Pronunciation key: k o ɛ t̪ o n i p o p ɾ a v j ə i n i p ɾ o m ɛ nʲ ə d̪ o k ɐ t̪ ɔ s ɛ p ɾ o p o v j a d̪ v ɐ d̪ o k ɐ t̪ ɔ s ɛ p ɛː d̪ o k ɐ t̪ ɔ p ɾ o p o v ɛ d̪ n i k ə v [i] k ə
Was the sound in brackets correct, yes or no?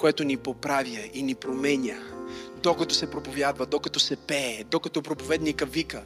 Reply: yes